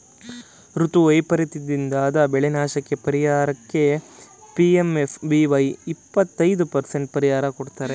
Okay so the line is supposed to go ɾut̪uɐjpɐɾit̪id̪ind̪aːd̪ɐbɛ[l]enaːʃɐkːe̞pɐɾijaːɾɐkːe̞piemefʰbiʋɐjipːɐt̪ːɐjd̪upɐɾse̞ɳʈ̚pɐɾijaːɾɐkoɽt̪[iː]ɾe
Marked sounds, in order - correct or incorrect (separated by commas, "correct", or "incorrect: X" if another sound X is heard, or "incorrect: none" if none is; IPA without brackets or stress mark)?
incorrect: ɭ, incorrect: aː